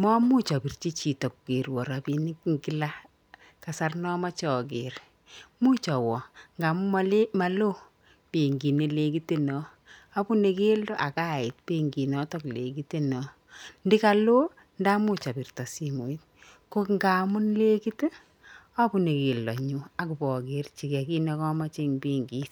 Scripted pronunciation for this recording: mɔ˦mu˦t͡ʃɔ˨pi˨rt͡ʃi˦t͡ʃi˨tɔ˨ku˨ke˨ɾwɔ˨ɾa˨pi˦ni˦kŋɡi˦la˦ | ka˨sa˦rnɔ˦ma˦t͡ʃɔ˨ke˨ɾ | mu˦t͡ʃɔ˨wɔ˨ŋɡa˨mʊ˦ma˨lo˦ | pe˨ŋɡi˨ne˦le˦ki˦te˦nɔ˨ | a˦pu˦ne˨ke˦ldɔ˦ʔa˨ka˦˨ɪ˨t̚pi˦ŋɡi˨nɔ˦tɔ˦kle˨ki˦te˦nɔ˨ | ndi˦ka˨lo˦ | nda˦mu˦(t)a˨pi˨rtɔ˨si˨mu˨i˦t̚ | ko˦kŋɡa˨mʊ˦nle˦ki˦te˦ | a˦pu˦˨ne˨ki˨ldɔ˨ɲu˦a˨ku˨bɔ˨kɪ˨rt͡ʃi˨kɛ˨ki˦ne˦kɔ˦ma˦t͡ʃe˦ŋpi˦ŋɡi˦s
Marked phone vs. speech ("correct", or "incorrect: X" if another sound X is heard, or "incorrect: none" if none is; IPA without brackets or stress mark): incorrect: t͡ʃ